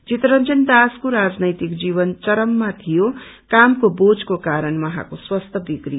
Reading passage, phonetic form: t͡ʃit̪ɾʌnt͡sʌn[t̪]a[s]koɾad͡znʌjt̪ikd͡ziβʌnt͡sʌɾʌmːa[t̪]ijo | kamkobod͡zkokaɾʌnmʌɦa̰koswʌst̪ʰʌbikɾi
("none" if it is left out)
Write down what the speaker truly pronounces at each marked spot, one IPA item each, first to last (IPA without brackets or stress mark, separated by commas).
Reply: d̪, s, t̪ʰ